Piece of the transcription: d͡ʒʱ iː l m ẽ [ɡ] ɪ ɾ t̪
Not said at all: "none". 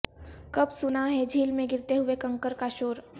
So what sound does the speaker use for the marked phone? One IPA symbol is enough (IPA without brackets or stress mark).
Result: ɡ